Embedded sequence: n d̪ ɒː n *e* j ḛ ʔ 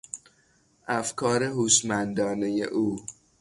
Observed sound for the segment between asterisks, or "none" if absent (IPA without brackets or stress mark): e